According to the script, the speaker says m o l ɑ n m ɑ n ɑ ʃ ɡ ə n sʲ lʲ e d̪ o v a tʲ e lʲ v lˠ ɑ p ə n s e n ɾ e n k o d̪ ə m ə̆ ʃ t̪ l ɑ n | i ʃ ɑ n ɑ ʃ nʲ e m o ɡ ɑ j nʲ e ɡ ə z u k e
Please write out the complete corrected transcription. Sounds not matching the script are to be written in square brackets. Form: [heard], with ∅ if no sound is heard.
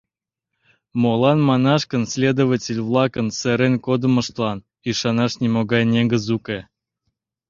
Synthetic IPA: m o l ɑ n m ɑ n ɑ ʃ [k] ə n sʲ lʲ e d̪ o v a tʲ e lʲ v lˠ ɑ [k] ə n s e [∅] ɾ e n k o d̪ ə m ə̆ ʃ t̪ l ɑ n | i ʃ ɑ n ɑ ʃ nʲ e m o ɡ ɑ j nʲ e ɡ ə z u k e